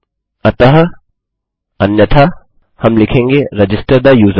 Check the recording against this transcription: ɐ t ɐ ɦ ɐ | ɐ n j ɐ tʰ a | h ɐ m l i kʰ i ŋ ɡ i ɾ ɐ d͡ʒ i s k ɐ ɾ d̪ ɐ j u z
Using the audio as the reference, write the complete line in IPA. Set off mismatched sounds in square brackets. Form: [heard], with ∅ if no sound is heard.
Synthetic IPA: ɐ t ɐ ɦ ɐ | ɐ n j ɐ tʰ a | h ɐ m l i kʰ [e] ŋ ɡ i ɾ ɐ d͡ʒ i s [t] ɐ ɾ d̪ ɐ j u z

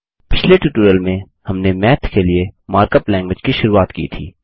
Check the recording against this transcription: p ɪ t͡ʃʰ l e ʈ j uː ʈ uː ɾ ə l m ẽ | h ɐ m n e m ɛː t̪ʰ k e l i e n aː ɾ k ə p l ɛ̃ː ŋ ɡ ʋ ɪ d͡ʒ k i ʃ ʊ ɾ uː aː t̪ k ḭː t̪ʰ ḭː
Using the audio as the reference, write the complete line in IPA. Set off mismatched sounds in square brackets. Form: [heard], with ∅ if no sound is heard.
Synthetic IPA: p ɪ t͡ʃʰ l e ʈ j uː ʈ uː ɾ ə l m ẽ | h ɐ m n e m ɛː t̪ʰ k e l i e [m] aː ɾ k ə p l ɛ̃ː ŋ ɡ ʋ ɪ d͡ʒ k i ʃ ʊ ɾ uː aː t̪ k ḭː t̪ʰ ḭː

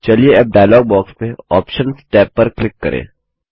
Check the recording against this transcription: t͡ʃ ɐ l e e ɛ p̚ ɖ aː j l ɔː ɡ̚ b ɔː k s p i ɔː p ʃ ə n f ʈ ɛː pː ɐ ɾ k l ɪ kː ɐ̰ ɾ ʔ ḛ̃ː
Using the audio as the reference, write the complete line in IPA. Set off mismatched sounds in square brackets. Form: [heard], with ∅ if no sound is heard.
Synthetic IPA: t͡ʃ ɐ l [i] e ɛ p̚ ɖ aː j l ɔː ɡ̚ b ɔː k s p [e] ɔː p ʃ ə n [s] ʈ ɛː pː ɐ ɾ k l ɪ kː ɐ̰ ɾ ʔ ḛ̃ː

